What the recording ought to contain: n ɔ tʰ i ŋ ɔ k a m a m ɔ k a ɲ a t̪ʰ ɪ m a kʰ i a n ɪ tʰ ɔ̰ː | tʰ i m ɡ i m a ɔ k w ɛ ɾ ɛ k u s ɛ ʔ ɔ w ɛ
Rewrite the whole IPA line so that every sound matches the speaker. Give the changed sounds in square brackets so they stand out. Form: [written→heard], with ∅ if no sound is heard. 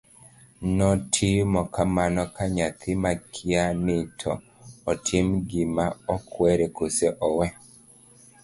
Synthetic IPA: n ɔ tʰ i [ŋ→m] ɔ k a m a [m→n] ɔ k a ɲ a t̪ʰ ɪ m a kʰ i a n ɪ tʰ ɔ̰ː | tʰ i m ɡ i m a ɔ k w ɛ ɾ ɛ k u s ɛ ʔ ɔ w ɛ